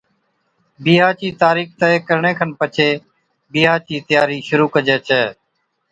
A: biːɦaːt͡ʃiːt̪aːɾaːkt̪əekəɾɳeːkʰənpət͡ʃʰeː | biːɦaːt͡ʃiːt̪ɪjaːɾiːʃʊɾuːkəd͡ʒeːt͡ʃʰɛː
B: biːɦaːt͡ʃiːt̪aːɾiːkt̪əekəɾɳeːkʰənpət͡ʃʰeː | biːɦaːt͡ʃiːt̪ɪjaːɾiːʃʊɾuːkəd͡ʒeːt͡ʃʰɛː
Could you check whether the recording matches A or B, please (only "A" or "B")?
B